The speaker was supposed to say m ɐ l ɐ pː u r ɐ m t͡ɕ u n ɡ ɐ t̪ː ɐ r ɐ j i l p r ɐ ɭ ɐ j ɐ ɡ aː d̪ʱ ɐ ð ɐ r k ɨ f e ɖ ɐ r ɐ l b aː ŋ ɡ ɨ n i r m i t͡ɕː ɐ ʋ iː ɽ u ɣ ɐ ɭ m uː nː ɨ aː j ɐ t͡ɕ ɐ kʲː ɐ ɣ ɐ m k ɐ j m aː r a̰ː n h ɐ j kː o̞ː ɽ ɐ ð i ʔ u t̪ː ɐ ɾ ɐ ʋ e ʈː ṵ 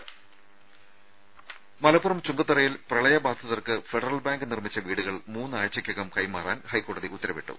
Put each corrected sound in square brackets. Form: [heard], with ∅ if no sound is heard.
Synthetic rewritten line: m ɐ l ɐ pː u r ɐ m t͡ɕ u [ŋ] ɡ ɐ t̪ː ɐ r ɐ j i l p r ɐ ɭ ɐ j ɐ [b] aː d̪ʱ ɐ ð ɐ r k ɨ f e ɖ ɐ r ɐ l b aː ŋ ɡ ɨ n i r m i t͡ɕː ɐ ʋ iː ɽ u ɣ ɐ ɭ m uː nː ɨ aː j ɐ t͡ɕ ɐ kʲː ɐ ɣ ɐ m k ɐ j m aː r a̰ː n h ɐ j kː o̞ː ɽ ɐ ð i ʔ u t̪ː ɐ ɾ ɐ ʋ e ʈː ṵ